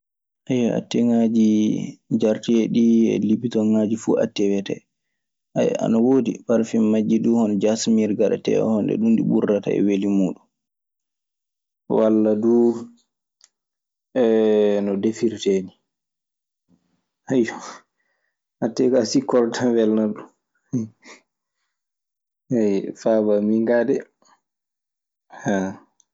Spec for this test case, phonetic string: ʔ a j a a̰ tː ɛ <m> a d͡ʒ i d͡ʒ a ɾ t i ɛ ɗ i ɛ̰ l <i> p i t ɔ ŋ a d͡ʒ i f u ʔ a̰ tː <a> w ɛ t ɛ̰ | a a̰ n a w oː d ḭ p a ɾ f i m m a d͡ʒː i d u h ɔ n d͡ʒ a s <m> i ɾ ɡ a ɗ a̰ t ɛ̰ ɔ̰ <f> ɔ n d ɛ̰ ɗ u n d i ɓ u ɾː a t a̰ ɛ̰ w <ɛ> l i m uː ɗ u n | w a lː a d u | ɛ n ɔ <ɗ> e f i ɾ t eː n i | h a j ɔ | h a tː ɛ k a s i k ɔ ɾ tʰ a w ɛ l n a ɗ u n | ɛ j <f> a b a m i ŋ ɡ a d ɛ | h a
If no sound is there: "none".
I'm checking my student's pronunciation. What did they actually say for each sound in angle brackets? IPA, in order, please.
ŋ, i, ɛ, m, h, e, d, f

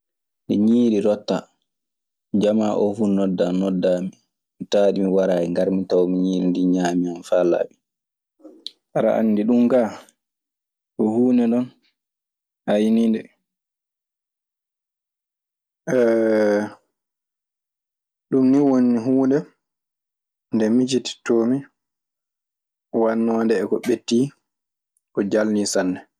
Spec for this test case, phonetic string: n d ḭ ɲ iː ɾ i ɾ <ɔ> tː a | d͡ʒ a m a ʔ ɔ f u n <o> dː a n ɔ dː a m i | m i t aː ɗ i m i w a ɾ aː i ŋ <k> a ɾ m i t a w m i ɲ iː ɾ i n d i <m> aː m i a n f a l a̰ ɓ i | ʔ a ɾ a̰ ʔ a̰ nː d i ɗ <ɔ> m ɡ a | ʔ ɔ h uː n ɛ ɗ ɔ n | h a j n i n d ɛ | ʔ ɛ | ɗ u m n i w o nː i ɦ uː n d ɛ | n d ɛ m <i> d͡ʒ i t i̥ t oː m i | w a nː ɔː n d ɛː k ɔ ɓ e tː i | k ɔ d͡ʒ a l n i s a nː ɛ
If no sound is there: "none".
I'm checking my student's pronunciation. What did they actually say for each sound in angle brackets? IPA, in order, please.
ɔ, ɔ, ɡ, ɲ, u, i

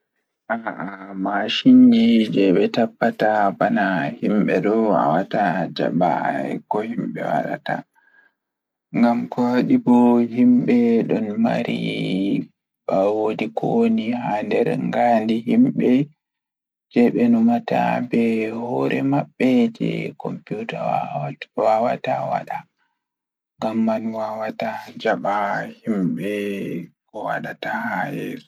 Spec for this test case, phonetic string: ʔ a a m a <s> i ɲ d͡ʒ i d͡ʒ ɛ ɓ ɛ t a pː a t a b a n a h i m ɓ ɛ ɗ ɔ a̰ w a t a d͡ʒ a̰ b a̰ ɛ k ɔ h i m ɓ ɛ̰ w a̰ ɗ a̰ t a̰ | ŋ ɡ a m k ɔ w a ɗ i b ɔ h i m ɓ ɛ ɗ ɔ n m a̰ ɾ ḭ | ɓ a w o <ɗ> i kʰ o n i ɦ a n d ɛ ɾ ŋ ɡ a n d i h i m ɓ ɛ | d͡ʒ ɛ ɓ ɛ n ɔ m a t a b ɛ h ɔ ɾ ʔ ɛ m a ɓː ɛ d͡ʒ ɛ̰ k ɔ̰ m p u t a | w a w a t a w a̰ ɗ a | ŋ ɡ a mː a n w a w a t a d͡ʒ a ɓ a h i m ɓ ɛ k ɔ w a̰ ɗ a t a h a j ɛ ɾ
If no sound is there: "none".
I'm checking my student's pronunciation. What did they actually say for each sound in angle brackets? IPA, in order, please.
ʃ, d

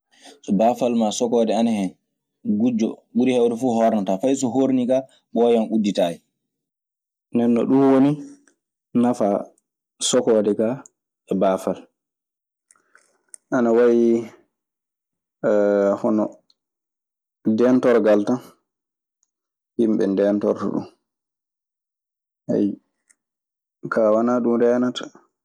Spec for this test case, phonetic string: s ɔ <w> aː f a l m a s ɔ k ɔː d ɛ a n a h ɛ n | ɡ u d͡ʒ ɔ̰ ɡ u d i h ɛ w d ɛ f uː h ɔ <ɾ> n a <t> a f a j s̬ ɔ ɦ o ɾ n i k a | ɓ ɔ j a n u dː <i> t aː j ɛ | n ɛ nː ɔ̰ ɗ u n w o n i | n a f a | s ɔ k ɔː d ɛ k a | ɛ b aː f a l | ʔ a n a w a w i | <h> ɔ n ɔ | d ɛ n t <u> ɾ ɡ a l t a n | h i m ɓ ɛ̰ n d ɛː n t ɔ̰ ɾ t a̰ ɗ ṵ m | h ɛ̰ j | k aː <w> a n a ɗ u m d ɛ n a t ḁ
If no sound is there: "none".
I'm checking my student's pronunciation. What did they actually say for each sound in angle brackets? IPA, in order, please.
b, ɾ, t, i, h, ɔ, w

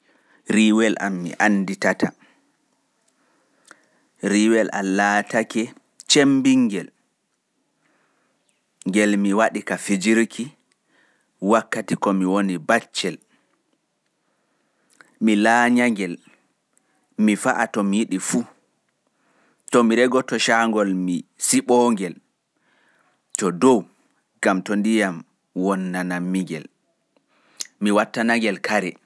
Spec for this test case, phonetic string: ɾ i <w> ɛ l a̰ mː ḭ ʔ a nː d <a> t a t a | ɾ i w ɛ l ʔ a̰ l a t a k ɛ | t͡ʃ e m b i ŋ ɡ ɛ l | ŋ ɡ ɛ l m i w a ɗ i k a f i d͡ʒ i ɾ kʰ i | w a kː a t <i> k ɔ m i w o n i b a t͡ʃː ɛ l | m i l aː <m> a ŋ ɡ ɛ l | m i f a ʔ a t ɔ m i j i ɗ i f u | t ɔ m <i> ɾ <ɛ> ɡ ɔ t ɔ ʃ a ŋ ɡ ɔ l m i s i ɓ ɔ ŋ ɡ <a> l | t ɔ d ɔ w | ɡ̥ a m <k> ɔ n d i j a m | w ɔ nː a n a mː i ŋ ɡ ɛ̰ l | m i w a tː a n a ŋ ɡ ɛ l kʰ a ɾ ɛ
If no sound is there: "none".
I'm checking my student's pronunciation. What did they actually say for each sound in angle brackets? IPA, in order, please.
w, i, i, ɲ, i, ɛ, ɛ, t

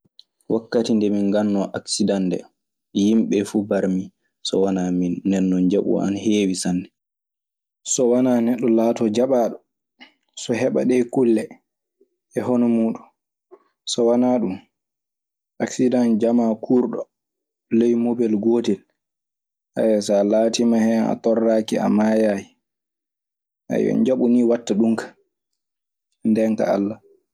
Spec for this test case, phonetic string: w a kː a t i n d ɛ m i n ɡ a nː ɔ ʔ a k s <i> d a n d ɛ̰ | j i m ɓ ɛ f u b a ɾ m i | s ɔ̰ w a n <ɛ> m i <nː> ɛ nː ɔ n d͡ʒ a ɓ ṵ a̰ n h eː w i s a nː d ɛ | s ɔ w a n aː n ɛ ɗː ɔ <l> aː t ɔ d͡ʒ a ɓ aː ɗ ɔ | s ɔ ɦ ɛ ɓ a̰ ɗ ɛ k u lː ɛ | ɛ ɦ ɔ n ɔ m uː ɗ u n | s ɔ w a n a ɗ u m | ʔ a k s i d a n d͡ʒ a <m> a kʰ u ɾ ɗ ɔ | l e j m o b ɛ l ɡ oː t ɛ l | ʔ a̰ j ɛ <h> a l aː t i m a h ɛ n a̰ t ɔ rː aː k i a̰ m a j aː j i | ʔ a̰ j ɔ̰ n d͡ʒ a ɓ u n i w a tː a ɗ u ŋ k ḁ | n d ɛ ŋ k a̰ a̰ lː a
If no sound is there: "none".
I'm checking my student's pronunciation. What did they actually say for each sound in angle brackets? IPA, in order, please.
i, a, nː, l, m, s

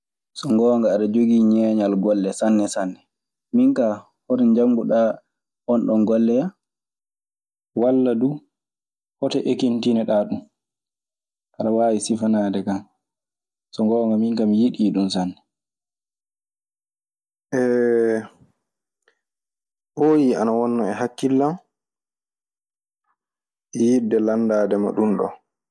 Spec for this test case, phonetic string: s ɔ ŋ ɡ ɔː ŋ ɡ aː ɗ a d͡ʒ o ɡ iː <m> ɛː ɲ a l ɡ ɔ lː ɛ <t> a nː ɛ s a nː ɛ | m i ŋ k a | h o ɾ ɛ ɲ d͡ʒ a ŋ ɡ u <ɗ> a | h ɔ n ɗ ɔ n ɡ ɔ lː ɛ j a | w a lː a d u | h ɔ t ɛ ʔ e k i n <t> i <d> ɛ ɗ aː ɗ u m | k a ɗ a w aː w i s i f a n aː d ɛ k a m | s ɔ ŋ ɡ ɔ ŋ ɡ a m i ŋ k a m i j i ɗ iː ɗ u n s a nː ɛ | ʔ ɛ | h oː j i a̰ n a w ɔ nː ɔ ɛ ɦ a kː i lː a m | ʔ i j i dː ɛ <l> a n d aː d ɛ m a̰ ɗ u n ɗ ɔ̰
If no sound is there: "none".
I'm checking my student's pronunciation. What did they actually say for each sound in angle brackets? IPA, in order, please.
ɲ, s, ɗ, t, n, l

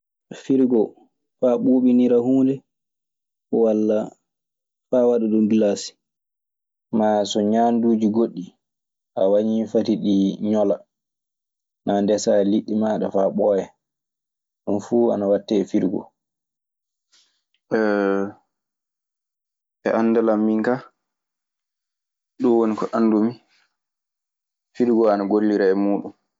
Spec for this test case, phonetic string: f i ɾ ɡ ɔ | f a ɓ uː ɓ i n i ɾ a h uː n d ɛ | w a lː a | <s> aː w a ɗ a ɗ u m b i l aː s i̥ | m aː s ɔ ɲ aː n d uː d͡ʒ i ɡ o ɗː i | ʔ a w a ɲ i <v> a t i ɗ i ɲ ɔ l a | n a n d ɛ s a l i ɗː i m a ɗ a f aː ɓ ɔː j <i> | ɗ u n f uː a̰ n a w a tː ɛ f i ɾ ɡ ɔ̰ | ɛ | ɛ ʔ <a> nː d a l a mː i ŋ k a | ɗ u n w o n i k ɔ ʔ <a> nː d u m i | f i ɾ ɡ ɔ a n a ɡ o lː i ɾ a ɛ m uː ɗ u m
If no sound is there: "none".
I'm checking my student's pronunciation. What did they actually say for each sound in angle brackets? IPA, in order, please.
f, f, ɛ, a, a

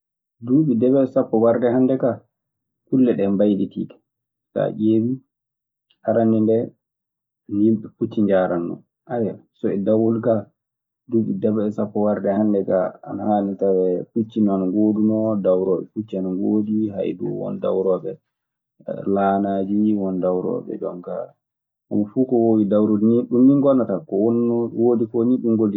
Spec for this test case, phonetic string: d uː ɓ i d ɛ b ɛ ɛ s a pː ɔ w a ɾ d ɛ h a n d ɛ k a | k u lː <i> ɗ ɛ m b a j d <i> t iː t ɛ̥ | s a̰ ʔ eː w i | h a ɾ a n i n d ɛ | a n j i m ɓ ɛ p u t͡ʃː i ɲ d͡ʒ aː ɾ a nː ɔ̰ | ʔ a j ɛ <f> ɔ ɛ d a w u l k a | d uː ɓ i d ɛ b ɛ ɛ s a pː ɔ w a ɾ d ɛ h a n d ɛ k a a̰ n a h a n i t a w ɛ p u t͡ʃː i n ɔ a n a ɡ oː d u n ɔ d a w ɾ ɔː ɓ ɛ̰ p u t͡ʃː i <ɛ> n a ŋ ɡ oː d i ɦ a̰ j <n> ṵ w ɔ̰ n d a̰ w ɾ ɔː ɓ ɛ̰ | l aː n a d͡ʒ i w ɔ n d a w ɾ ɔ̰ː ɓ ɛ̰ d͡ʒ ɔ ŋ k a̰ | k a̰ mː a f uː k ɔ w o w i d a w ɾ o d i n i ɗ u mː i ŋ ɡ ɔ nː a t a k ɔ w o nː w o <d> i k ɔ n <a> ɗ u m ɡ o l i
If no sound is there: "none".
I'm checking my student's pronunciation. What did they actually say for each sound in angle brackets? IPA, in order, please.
ɛ, i, s, a, d, d, i

